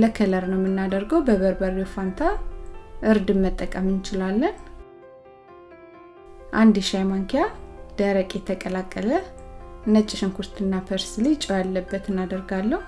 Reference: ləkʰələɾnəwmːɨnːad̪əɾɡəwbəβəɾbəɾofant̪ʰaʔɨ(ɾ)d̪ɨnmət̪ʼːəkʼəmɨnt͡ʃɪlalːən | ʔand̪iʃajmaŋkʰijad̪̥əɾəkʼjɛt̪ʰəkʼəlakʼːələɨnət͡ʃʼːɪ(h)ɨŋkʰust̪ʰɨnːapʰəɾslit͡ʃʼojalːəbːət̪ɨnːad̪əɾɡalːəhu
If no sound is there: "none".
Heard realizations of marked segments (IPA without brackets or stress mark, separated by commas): ɾ, ʃ